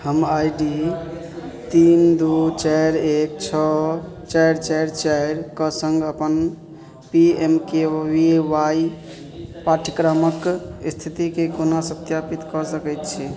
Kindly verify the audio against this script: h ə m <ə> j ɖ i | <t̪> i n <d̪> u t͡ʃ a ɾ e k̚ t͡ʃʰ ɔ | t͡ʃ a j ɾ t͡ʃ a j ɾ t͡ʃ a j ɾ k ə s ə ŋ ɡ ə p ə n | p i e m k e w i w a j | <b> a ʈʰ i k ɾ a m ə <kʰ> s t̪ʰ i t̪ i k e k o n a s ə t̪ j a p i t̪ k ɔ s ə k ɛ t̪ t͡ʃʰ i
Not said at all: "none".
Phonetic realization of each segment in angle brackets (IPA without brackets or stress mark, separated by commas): a, t̪, d̪, p, k